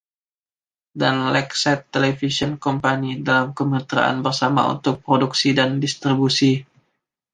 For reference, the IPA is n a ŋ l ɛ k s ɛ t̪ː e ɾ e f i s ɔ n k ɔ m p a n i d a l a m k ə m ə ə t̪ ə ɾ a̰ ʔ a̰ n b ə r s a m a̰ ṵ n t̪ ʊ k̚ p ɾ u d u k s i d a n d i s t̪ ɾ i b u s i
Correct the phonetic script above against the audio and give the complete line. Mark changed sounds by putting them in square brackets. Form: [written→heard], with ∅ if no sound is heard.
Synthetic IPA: [n→d] a [ŋ→n] l ɛ k s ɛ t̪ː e [ɾ→l] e f i s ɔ n k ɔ m p a n i d a l a m k ə m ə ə t̪ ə ɾ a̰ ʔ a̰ n b ə r s a m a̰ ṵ n t̪ ʊ k̚ p ɾ [u→o] d u k s i d a n d i s t̪ ɾ i b u s i